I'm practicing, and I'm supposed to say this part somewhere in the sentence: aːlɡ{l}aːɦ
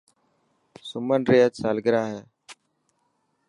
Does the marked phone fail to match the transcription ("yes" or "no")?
yes